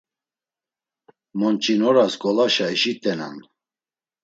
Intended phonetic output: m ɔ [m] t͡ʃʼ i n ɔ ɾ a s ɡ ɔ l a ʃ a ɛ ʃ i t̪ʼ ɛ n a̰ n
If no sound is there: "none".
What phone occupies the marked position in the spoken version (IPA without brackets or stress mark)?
n